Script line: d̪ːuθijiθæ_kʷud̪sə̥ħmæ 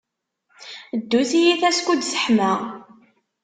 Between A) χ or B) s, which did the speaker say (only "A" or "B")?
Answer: B